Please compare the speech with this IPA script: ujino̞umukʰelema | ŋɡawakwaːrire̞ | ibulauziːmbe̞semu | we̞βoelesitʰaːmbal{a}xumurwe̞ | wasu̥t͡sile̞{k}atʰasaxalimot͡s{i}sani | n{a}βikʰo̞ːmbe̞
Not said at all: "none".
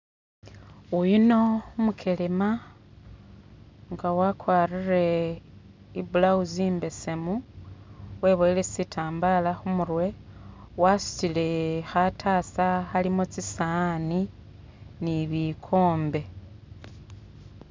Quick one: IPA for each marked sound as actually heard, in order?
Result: a, x, i, i

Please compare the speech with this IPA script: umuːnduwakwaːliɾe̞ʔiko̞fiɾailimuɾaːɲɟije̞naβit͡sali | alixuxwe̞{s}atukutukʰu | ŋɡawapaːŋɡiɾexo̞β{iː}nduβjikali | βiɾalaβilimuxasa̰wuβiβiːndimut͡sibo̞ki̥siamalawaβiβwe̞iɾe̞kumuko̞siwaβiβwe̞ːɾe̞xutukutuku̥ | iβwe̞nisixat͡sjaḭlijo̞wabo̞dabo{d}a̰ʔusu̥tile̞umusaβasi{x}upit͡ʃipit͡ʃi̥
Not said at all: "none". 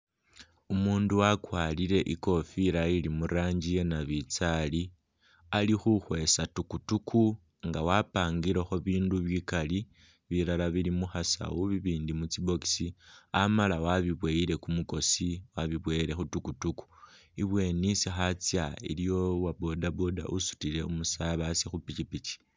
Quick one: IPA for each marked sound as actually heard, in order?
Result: s, iː, d, x

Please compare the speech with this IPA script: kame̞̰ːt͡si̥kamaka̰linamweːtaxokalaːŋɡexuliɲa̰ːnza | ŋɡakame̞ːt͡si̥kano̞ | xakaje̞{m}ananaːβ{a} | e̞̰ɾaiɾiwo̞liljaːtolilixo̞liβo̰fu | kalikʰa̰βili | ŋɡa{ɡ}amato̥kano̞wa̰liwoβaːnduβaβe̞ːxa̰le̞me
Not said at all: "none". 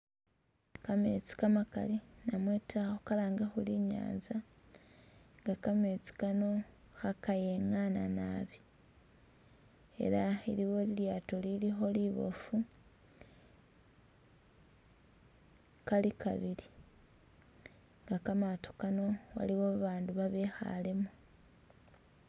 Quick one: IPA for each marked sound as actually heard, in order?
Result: ŋ, i, k

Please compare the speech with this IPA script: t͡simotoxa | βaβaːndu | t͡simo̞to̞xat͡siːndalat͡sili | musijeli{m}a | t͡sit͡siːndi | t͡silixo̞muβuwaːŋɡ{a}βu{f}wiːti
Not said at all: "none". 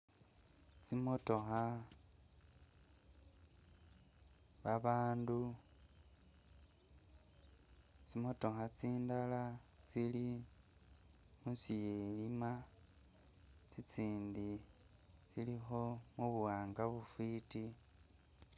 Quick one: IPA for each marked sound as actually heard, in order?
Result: m, a, f

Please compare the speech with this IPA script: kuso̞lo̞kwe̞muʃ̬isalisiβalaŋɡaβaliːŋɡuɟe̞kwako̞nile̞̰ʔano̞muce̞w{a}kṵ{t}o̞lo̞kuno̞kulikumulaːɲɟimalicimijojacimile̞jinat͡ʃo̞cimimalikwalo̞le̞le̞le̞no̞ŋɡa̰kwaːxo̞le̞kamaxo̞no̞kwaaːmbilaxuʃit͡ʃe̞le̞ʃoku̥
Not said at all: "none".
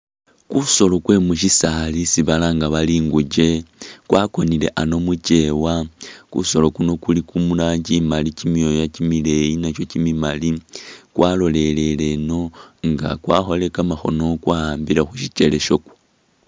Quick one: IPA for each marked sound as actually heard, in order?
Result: a, s

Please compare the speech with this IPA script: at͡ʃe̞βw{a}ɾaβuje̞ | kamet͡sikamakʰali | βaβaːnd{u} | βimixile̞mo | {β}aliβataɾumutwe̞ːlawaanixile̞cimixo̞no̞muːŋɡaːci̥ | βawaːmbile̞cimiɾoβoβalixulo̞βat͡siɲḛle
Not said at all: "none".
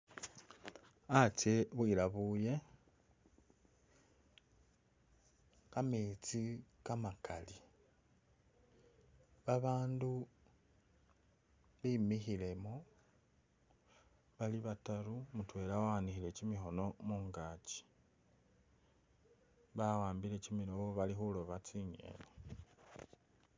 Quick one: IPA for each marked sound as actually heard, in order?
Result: i, u, β

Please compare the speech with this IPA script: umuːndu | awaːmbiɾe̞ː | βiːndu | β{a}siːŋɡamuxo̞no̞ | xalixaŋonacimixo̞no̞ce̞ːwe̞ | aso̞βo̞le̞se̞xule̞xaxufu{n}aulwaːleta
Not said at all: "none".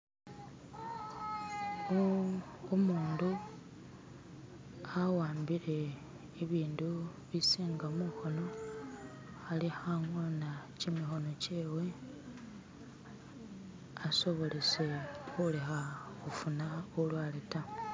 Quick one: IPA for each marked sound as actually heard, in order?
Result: i, n

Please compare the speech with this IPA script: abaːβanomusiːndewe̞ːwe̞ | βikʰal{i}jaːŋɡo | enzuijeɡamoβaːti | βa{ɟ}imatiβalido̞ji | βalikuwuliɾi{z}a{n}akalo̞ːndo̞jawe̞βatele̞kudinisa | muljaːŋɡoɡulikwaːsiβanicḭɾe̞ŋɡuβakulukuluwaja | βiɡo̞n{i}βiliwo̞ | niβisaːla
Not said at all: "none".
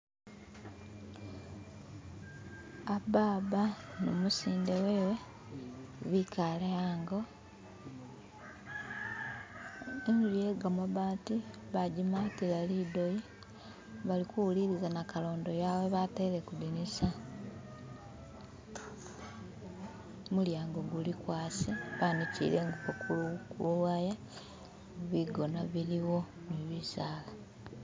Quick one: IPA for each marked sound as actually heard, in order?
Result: e, ɟ, z, n, a

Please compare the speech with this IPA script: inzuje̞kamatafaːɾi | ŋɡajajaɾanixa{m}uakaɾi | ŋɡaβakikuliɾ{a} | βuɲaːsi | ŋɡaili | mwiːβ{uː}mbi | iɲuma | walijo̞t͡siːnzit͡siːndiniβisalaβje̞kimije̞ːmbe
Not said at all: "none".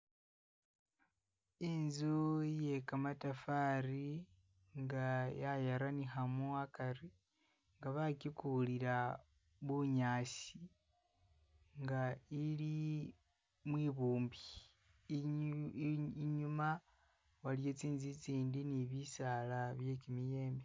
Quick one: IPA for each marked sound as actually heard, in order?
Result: m, a, uː

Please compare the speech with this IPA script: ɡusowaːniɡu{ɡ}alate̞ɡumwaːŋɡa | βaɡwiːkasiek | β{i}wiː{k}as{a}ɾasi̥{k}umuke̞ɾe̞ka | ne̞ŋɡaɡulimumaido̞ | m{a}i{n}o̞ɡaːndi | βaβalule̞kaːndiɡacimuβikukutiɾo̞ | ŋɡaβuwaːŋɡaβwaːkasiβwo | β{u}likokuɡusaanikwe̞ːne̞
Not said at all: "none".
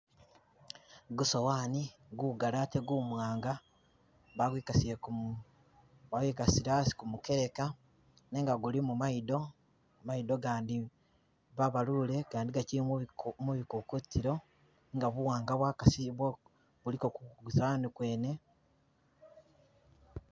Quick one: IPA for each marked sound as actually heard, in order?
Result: ɡ, a, k, i, k, a, d, u

